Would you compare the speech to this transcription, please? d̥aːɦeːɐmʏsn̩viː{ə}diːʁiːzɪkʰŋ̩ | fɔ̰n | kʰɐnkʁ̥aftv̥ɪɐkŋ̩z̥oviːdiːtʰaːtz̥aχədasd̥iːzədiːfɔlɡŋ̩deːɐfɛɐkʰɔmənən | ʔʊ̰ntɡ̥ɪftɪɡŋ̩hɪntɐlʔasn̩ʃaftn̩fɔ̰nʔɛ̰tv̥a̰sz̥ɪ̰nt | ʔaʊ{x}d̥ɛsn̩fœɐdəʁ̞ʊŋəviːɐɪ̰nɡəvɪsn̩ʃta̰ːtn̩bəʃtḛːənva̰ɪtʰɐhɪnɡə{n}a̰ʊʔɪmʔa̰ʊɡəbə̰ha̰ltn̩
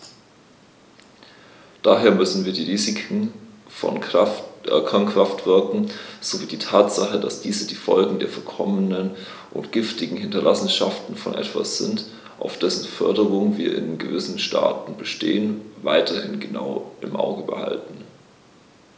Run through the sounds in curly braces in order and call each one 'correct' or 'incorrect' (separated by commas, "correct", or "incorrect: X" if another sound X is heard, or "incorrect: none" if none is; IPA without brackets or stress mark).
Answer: incorrect: ɐ, incorrect: f, correct